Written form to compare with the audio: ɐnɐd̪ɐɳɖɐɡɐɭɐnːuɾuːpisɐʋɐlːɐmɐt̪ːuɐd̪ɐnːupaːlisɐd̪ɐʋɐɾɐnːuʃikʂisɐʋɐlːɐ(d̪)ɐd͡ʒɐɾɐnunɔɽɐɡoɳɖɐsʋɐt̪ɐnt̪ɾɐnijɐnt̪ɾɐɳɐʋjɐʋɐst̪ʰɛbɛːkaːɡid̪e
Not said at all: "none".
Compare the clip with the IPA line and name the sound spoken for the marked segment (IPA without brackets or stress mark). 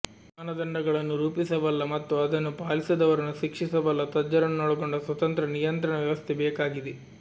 t̪